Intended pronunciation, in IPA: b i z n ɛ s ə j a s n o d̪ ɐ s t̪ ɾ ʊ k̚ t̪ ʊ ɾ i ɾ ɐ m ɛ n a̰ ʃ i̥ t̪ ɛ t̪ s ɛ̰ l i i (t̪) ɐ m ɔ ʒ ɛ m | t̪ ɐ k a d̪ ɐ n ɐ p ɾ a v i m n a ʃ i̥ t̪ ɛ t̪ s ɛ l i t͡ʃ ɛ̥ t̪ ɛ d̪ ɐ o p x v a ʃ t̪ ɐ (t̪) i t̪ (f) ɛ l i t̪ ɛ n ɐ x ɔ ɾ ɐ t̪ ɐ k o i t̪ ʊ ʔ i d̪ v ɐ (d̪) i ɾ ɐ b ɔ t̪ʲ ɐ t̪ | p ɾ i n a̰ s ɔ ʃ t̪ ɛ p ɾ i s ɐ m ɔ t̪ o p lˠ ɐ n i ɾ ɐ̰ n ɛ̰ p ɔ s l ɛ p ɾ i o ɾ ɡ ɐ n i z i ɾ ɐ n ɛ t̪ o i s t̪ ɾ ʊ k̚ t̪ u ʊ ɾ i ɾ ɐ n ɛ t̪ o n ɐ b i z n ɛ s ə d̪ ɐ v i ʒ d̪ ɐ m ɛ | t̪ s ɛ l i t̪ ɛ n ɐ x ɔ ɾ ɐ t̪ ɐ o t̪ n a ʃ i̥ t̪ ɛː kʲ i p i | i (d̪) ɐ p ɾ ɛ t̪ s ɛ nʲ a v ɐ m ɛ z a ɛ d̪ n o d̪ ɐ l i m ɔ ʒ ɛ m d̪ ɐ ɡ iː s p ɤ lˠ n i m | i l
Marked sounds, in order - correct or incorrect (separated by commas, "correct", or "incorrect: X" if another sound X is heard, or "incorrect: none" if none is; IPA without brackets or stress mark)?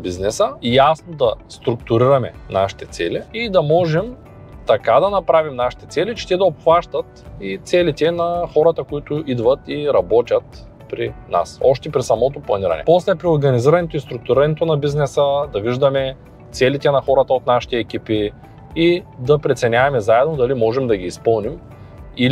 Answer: incorrect: d̪, correct, incorrect: s, incorrect: t̪, correct